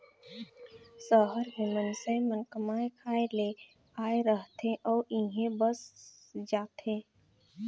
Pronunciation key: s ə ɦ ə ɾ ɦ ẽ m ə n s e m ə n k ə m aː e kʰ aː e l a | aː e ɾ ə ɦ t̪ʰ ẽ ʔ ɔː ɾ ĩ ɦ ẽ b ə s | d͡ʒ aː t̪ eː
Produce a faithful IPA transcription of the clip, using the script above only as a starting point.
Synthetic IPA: s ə ɦ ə ɾ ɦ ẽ m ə n s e m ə n k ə m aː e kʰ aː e l e | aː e ɾ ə ɦ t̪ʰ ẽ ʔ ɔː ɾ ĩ ɦ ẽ b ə s | d͡ʒ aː t̪ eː